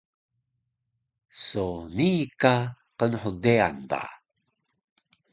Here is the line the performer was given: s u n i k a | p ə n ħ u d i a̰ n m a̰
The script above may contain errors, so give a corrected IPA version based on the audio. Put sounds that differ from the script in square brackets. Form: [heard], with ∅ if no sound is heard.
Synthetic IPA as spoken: s [o] n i k a | [q] ə n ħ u d [e] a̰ n [b] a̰